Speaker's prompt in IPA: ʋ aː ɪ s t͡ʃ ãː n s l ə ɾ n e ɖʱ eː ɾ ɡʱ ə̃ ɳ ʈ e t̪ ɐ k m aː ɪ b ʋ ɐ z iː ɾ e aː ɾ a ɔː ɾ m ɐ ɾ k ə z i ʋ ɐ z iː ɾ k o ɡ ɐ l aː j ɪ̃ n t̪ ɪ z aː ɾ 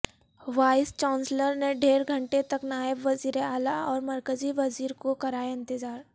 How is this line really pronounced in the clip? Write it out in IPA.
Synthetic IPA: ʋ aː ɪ s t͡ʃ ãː n s l ə ɾ n e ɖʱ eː ɾ ɡʱ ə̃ ɳ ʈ e t̪ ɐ k n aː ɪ b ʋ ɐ z iː ɾ e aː l a ɔː ɾ m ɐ ɾ k ə z i ʋ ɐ z iː ɾ k o k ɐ ɾ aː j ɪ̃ n t̪ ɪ z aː ɾ